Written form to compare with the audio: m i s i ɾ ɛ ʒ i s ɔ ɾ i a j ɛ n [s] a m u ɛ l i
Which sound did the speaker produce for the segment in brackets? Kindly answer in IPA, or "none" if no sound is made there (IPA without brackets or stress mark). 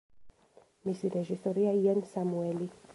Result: s